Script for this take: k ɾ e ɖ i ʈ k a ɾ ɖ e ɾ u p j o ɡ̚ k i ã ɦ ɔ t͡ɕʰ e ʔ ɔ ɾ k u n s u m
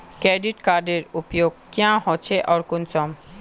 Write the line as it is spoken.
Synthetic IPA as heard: k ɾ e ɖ i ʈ k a ɾ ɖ e ɾ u p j o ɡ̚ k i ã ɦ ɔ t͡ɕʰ e ʔ ɔ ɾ k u n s ɔ m